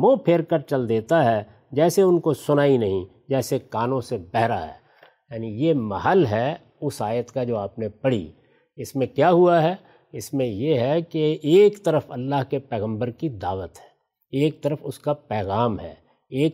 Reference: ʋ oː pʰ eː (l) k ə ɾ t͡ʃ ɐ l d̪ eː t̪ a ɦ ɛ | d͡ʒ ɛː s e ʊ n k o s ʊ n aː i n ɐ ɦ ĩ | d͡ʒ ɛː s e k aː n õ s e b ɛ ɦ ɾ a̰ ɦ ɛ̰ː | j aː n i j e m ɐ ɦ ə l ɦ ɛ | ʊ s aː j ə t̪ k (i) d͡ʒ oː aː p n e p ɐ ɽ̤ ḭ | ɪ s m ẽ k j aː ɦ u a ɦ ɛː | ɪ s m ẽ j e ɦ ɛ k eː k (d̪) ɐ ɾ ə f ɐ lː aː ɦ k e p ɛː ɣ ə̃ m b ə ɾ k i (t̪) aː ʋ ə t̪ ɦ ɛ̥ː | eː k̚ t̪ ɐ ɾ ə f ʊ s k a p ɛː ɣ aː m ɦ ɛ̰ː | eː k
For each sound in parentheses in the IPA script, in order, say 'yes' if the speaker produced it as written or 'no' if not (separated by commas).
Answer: no, no, no, no